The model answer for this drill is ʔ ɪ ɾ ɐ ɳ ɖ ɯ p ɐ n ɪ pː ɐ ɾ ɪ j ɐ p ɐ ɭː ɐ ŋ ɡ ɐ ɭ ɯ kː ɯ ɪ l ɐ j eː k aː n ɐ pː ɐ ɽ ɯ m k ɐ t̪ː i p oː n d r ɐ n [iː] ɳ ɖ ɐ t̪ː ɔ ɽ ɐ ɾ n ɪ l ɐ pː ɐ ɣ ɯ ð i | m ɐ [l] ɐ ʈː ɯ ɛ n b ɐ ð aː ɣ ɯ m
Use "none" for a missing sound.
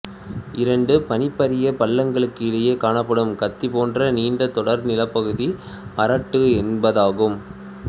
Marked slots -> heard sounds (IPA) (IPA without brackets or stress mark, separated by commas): iː, ɾ